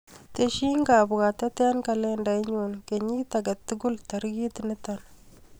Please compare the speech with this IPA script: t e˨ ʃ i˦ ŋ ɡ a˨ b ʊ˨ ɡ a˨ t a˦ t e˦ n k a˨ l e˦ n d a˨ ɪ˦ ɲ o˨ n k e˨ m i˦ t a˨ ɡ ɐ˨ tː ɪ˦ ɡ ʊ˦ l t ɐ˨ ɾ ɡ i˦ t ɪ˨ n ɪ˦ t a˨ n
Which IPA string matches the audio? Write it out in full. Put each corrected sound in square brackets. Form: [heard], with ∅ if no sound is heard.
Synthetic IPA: t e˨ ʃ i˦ ŋ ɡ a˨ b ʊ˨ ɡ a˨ t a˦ t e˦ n k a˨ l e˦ n d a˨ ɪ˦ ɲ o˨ n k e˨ [ɲ] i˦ t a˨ ɡ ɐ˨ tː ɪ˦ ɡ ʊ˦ l t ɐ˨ ɾ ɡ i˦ t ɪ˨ n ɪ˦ t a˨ n